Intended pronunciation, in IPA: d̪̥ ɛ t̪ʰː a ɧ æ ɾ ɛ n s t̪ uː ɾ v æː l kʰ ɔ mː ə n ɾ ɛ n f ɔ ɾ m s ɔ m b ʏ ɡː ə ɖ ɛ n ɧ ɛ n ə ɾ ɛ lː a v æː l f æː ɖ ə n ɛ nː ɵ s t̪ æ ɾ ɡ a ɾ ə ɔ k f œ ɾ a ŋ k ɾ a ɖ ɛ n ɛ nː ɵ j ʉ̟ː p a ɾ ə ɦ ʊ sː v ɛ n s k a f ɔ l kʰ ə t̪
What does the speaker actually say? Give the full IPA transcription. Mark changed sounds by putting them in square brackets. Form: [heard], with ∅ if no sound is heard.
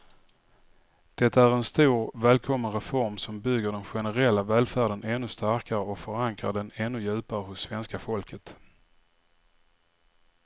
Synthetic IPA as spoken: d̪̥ ɛ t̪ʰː a [∅] æ ɾ ɛ n s t̪ uː ɾ v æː l kʰ ɔ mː ə n ɾ ɛ [∅] f ɔ ɾ m s ɔ m b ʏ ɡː ə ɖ ɛ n ɧ ɛ n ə ɾ ɛ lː a v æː l f æː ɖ ə n ɛ nː ɵ s t̪ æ ɾ [k] a ɾ ə ɔ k f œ ɾ a ŋ k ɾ a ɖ ɛ n ɛ nː ɵ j ʉ̟ː p a ɾ ə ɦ ʊ sː v ɛ n s k a f ɔ l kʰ ə t̪